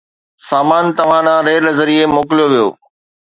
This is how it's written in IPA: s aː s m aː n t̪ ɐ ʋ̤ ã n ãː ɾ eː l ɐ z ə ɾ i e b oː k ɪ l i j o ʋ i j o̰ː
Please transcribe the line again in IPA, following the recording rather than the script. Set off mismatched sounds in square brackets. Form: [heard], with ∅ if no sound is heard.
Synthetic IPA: s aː [∅] m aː n t̪ ɐ ʋ̤ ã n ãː ɾ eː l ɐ z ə ɾ i e [m] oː k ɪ l i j o ʋ i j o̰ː